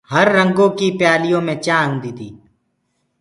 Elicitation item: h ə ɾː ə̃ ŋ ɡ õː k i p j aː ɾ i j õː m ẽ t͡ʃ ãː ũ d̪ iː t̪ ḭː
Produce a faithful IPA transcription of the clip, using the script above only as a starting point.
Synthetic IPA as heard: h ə ɾː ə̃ ŋ ɡ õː k i p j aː l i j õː m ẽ t͡ʃ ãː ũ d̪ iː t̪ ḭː